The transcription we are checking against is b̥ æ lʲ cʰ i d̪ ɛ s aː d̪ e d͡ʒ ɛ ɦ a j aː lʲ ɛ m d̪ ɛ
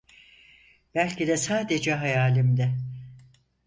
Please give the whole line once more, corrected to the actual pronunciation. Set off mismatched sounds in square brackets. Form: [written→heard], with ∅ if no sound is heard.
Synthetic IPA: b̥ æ lʲ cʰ i d̪ ɛ s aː d̪ e d͡ʒ ɛ ɦ a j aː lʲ [ɛ→i] m d̪ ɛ